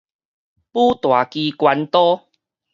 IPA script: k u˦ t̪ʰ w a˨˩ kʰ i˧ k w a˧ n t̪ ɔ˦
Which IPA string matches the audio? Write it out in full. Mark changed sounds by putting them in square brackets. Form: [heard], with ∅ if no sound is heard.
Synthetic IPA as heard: [p] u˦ [t̪] w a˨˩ [k] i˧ k w a˧ n t̪ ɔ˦